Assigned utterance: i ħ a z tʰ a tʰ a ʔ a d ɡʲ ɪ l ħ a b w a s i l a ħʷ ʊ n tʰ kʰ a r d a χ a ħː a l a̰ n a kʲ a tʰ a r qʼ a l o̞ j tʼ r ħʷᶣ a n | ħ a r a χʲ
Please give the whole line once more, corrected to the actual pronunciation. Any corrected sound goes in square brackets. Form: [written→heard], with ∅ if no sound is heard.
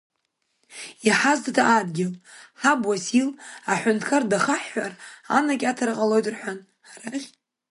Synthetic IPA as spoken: i ħ a z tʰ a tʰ a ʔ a d ɡʲ ɪ l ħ a b w a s i l a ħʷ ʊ n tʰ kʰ a r d a χ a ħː a [l→r] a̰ n a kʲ a tʰ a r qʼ a l o̞ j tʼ r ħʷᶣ a n | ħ a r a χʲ